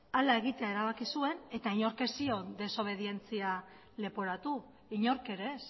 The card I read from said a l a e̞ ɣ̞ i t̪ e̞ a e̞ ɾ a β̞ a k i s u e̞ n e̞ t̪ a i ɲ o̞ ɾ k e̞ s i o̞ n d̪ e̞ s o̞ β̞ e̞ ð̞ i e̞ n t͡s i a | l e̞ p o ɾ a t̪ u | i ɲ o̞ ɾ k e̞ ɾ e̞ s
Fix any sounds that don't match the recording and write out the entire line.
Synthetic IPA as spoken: a l a e̞ ɣ̞ i t̪ e̞ a e̞ ɾ a β̞ a k i s u e̞ n e̞ t̪ a i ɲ o̞ ɾ k e̞ s i o̞ n d̪ e̞ s o̞ β̞ e̞ ð̞ i e̞ n t͡s i a | l e̞ p o ɾ a t̪ u | i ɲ o̞ ɾ k e̞ ɾ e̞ s